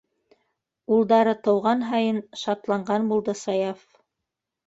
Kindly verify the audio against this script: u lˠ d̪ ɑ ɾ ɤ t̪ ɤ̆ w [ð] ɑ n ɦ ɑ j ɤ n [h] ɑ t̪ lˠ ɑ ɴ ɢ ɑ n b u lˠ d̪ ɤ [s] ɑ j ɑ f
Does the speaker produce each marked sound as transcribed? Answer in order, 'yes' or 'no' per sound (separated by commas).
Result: no, no, yes